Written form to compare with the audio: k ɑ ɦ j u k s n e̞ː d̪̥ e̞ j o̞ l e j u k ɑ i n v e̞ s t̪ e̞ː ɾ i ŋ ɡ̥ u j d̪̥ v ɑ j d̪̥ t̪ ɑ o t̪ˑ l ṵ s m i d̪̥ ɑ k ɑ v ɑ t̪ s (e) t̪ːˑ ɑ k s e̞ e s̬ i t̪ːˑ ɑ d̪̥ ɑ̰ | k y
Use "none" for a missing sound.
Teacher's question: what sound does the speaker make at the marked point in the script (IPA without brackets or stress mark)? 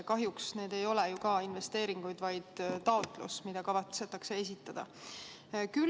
e